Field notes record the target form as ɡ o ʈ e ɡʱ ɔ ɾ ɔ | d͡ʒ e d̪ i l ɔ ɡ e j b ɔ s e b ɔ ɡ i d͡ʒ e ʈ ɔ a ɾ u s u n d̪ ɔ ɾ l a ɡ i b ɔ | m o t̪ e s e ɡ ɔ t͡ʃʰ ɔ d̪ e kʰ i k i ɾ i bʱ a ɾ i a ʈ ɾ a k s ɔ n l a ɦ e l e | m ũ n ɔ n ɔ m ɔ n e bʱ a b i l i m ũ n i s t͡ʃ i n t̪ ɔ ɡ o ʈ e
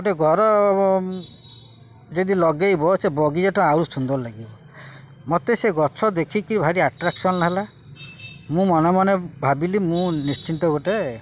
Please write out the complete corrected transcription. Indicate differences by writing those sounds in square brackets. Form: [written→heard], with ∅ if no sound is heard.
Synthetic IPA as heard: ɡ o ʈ e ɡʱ ɔ ɾ ɔ | d͡ʒ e d̪ i l ɔ ɡ e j b ɔ s e b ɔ ɡ i d͡ʒ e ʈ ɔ a ɾ u s u n d̪ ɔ ɾ l a ɡ i b ɔ | m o t̪ e s e ɡ ɔ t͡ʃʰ ɔ d̪ e kʰ i k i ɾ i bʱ a ɾ i a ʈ ɾ a k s ɔ n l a ɦ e l [e→a] | m ũ [n→m] ɔ n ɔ m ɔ n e bʱ a b i l i m ũ n i s t͡ʃ i n t̪ ɔ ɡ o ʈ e